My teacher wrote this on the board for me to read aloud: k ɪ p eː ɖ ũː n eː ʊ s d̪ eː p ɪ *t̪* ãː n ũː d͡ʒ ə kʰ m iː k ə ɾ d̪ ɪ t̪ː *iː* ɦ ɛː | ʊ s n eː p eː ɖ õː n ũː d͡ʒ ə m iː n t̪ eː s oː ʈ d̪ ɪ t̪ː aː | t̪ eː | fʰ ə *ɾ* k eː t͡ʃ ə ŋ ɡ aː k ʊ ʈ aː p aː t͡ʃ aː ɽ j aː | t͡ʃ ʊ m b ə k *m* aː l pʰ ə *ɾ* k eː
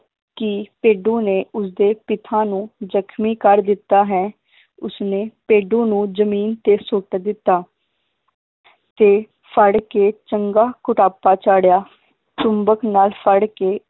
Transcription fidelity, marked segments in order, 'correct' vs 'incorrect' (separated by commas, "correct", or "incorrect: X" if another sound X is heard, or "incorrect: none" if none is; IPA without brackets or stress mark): incorrect: t̪ʰ, incorrect: aː, incorrect: ɽ, incorrect: n, incorrect: ɽ